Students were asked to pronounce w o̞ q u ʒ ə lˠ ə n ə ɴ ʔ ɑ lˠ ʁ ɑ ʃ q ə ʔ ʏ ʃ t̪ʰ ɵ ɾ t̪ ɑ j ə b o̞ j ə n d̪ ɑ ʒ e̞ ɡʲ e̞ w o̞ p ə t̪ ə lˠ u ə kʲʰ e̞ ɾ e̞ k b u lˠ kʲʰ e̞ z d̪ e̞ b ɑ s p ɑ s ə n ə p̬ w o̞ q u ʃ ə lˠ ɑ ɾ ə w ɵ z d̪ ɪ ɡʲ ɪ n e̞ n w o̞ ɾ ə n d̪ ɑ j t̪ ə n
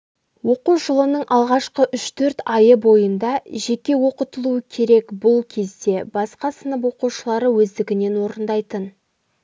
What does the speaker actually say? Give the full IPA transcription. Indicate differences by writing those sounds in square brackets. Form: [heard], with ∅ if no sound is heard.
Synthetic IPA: w o̞ q u ʒ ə lˠ ə n ə ɴ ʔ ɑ lˠ ʁ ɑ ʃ q ə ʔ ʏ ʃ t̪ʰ ɵ ɾ t̪ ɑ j ə b o̞ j ə n d̪ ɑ ʒ e̞ [kʲ] e̞ w o̞ [q] ə t̪ ə lˠ u ə kʲʰ e̞ ɾ e̞ k b [ʊ] lˠ kʲʰ e̞ z d̪ e̞ b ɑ s [q] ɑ s ə n ə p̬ w o̞ q u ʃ ə lˠ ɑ ɾ ə w ɵ z d̪ ɪ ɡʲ ɪ n e̞ n w o̞ ɾ ə n d̪ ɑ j t̪ ə n

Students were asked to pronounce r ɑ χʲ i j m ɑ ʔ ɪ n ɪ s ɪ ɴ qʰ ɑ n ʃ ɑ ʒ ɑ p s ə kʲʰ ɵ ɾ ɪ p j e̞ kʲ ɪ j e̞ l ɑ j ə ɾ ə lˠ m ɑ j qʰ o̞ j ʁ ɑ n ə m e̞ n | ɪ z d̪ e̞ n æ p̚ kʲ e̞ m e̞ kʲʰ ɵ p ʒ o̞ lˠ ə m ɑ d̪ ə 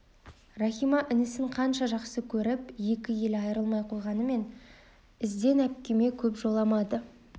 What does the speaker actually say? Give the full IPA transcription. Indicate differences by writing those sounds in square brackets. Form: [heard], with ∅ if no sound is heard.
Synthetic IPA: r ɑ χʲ i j m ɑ ʔ ɪ n ɪ s ɪ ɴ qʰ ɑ n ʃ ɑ ʒ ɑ [q] s ə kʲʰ ɵ ɾ ɪ p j e̞ kʲ ɪ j e̞ l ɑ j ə ɾ ə lˠ m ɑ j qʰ o̞ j ʁ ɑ n ə m e̞ n | ɪ z d̪ e̞ n æ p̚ kʲ e̞ m e̞ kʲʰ ɵ p ʒ o̞ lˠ [ɑ] m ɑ d̪ ə

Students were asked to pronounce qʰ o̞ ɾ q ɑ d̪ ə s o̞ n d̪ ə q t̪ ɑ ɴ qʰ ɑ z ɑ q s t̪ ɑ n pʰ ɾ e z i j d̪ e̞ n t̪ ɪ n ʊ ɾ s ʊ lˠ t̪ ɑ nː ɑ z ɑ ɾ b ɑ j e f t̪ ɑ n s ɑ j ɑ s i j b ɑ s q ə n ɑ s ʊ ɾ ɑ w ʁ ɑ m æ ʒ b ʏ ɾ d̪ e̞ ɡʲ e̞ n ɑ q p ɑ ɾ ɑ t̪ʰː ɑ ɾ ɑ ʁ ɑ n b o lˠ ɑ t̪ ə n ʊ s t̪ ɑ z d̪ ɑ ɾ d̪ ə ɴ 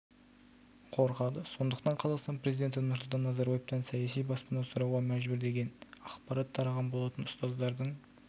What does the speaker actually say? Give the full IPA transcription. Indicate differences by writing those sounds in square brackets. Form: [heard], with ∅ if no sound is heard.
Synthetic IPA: qʰ o̞ ɾ q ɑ d̪ ə s o̞ n d̪ ə q t̪ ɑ ɴ qʰ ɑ z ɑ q s t̪ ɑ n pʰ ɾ e z i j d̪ e̞ n t̪ ɪ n ʊ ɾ s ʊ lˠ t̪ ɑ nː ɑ z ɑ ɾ b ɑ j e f t̪ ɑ n s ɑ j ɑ s i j b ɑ s [p] ə n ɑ s ʊ ɾ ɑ w ʁ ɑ m æ ʒ b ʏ ɾ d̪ e̞ ɡʲ e̞ n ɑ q p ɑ ɾ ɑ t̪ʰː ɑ ɾ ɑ ʁ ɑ n b o lˠ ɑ t̪ ə n ʊ s t̪ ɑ z d̪ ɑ ɾ d̪ ə ɴ

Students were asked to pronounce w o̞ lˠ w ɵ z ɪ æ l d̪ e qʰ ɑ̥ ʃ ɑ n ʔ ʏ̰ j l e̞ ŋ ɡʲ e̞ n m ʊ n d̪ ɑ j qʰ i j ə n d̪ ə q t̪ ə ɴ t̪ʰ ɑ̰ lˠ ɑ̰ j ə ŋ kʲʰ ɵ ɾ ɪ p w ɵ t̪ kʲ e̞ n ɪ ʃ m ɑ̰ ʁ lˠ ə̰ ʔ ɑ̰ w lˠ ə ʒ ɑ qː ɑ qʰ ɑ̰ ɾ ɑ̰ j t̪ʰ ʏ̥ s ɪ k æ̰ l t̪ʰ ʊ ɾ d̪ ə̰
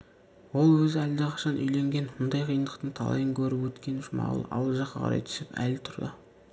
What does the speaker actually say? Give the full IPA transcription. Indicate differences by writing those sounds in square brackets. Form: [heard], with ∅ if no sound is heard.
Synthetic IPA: w o̞ lˠ w ɵ z ɪ æ l d̪ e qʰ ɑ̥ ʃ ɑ n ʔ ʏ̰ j l e̞ ŋ ɡʲ e̞ n m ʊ n d̪ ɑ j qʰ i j ə n d̪ ə q t̪ ə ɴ t̪ʰ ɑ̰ lˠ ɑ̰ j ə ŋ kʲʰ ɵ ɾ ɪ p w ɵ t̪ kʲ e̞ n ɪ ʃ m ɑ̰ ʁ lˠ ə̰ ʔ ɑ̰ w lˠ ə ʒ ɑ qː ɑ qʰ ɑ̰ ɾ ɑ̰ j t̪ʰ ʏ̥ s ɪ [p] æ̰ l t̪ʰ ʊ ɾ d̪ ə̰

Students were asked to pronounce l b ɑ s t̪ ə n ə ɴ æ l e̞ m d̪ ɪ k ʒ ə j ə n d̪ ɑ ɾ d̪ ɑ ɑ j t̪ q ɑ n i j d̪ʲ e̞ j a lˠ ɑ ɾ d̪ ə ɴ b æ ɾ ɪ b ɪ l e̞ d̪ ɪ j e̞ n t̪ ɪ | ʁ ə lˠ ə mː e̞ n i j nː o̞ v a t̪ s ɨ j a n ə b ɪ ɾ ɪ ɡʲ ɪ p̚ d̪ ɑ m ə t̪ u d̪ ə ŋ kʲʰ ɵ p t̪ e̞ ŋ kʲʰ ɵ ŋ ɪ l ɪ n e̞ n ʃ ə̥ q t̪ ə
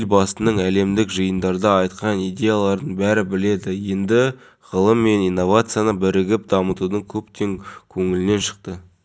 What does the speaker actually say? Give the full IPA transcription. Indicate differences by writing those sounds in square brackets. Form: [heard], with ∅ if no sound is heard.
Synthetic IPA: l b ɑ s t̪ ə n ə ɴ æ l e̞ m d̪ ɪ k ʒ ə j ə n d̪ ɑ ɾ d̪ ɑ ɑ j t̪ q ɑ n i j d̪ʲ e̞ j a lˠ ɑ ɾ d̪ ə ɴ b æ ɾ ɪ b ɪ l e̞ d̪ ɪ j e̞ n [d̪] ɪ | ʁ ə lˠ ə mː e̞ n i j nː o̞ v a t̪ s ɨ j a n ə b ɪ ɾ ɪ ɡʲ ɪ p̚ d̪ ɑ m ə t̪ u d̪ ə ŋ kʲʰ ɵ p t̪ e̞ ŋ kʲʰ ɵ ŋ ɪ l ɪ n e̞ n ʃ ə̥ q t̪ ə

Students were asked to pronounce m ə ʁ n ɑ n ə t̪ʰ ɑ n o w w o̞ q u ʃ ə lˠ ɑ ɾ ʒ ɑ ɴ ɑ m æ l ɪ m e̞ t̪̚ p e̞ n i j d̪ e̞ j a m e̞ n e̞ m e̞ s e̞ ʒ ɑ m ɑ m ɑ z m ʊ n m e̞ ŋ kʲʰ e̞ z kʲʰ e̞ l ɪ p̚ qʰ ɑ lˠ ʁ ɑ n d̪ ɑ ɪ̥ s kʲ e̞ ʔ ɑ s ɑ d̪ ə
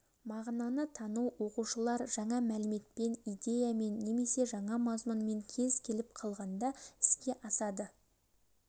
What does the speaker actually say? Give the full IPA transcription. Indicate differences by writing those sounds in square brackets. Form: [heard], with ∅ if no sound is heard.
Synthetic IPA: m [ɑ] ʁ n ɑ n ə t̪ʰ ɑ n [u] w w o̞ q u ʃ ə lˠ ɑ ɾ ʒ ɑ ɴ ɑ m æ l ɪ m e̞ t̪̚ p e̞ n i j d̪ e̞ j a m e̞ [nː] e̞ m e̞ s e̞ ʒ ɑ [ɴ] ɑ m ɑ z m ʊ n m e̞ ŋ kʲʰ e̞ z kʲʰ e̞ l ɪ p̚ qʰ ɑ lˠ ʁ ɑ n d̪ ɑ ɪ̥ s kʲ e̞ ʔ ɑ s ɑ d̪ ə

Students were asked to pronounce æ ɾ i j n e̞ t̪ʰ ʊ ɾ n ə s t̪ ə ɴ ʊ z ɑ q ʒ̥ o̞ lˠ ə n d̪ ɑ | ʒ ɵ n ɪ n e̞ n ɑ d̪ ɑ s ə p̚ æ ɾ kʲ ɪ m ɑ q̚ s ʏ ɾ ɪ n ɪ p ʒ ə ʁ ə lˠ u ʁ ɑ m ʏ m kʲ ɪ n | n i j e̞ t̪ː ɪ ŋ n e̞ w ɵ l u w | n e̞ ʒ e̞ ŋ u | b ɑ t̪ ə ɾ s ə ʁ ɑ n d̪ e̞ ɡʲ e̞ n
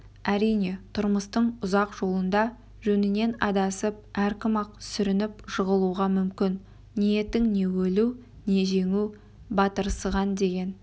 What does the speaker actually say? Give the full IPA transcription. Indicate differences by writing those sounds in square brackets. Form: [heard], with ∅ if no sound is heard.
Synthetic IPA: æ ɾ i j n e̞ t̪ʰ ʊ ɾ [m] ə s t̪ ə ɴ ʊ z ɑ q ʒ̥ o̞ lˠ ə n d̪ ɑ | ʒ ɵ n ɪ n e̞ n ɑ d̪ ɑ s ə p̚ æ ɾ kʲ ɪ m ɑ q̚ s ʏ ɾ ɪ n ɪ p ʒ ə ʁ ə lˠ u ʁ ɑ m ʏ m kʲ ɪ n | n i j e̞ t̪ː ɪ ŋ n e̞ w ɵ l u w | n e̞ ʒ e̞ ŋ u | b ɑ t̪ ə ɾ s ə ʁ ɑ n d̪ e̞ ɡʲ e̞ n

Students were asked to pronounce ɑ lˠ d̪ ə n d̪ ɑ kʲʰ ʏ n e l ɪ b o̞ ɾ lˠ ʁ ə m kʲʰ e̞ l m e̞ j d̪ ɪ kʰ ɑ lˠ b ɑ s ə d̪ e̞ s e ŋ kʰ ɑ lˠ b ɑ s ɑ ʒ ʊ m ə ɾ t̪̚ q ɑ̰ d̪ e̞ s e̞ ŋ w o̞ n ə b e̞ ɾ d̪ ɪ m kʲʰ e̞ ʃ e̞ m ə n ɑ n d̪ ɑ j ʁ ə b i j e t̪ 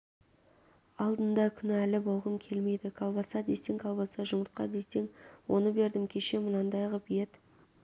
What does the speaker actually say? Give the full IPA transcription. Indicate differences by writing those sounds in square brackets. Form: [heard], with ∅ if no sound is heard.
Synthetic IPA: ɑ lˠ d̪ ə n d̪ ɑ kʲʰ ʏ n [æ] l ɪ b o̞ [∅] lˠ ʁ ə m kʲʰ e̞ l m e̞ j d̪ ɪ kʰ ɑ lˠ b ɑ s [ɑ] d̪ e̞ s e ŋ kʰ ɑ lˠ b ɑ s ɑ ʒ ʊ m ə ɾ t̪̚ q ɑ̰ d̪ e̞ s e̞ ŋ w o̞ n ə b e̞ ɾ d̪ ɪ m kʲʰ e̞ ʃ e̞ m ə n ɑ n d̪ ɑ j ʁ ə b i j e t̪

